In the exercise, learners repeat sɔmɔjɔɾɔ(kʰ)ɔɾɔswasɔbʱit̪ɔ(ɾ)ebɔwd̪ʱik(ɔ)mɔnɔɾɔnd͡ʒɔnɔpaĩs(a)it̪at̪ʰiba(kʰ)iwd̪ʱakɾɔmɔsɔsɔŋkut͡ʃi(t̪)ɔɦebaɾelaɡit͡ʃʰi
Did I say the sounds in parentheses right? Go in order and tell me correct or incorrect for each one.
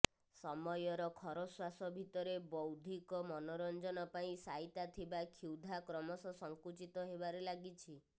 correct, correct, correct, correct, correct, correct

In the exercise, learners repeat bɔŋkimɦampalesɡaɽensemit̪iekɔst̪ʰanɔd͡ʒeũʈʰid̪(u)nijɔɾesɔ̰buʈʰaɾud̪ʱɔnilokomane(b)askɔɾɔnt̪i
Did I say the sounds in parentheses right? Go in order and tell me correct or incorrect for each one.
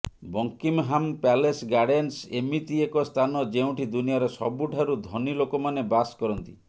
correct, correct

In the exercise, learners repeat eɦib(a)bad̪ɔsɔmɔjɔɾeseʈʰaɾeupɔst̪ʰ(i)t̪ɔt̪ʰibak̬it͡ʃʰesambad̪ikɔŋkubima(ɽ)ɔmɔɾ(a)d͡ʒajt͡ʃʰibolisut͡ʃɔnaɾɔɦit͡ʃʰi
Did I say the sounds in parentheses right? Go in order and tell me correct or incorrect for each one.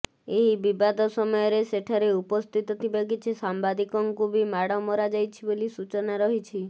incorrect: i, correct, correct, correct

